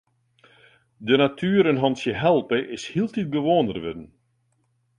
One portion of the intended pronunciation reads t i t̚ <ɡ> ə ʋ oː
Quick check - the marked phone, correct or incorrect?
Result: incorrect